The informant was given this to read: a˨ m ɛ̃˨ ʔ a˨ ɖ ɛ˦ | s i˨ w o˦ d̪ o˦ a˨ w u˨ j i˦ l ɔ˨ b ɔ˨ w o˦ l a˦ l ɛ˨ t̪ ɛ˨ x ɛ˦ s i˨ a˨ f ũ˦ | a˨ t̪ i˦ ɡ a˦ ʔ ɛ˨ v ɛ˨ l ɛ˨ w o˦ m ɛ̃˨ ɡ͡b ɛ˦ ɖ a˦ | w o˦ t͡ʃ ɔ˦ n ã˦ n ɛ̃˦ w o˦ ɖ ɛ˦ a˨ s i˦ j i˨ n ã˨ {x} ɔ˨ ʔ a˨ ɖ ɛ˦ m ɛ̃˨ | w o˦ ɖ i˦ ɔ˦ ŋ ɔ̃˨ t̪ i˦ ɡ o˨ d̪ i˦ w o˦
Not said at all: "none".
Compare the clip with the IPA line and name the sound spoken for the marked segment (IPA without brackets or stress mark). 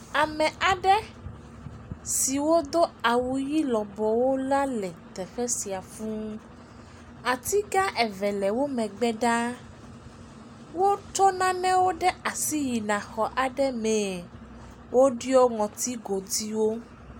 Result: x